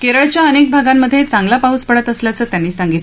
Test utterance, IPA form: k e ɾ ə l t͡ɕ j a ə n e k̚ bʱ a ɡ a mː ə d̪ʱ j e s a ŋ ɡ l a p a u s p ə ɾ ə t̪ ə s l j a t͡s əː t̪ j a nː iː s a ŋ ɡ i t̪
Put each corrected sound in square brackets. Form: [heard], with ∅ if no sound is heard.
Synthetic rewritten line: k e ɾ ə [ɭ] t͡ɕ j a ə n e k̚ bʱ a ɡ a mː ə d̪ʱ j e [t͡s] a ŋ ɡ l a p a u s p ə [ɽ] ə t̪ ə s l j a t͡s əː t̪ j a nː iː s a ŋ ɡ i t̪